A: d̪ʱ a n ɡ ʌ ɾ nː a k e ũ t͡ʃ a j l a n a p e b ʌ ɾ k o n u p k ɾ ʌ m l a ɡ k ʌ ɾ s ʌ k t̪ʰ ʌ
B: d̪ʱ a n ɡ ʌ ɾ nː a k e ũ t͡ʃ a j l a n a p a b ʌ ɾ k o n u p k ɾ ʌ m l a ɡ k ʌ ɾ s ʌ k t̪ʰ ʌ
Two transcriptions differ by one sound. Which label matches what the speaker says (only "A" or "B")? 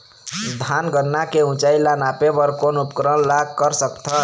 A